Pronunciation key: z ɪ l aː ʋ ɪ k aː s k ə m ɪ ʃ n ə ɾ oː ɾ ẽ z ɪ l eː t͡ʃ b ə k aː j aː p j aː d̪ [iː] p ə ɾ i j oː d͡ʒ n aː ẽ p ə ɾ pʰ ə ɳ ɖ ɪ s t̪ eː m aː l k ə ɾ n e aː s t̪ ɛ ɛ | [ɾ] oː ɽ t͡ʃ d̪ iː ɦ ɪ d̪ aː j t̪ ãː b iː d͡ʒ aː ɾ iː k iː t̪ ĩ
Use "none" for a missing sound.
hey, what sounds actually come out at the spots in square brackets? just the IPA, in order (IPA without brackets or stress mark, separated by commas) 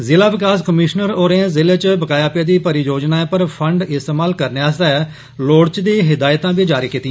iː, l